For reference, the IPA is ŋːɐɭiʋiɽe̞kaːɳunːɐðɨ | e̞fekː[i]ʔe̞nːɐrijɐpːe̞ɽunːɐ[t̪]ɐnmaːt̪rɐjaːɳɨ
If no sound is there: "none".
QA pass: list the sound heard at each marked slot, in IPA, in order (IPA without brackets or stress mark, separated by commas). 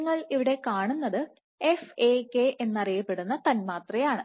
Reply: e, t̪